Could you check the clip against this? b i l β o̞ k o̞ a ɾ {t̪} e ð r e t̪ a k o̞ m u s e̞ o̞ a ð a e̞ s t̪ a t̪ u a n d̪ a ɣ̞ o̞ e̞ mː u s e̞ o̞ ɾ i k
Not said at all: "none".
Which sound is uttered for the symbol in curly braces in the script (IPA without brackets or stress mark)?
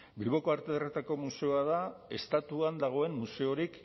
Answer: t̪